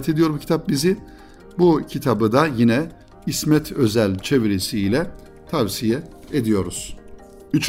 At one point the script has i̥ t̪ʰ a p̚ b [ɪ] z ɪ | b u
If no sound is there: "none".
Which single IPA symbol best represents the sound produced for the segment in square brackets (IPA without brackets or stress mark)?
i